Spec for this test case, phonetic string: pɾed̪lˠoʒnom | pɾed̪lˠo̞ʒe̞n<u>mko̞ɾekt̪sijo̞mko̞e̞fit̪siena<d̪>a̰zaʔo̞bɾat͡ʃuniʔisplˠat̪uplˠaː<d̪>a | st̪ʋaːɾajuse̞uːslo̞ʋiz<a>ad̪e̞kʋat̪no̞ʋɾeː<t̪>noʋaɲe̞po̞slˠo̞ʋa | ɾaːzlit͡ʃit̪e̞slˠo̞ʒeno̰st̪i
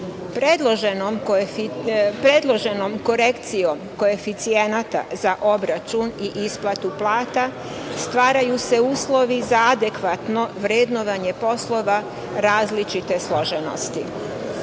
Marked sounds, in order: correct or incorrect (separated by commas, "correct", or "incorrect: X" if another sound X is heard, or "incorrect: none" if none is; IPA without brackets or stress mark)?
incorrect: o, incorrect: t̪, incorrect: t̪, correct, incorrect: d̪